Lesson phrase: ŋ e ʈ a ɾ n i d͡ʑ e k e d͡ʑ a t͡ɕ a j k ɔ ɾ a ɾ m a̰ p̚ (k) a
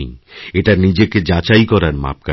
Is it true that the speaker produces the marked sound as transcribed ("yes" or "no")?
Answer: yes